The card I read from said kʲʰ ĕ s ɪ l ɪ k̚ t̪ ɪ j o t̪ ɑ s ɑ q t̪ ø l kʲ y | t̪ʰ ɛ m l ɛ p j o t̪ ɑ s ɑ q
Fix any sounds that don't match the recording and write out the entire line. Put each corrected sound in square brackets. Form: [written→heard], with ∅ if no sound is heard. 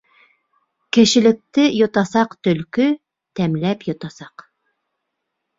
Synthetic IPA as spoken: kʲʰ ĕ [s→ʃ] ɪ l ɪ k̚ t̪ ɪ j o t̪ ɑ s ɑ q t̪ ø l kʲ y | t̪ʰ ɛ m l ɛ p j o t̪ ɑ s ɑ q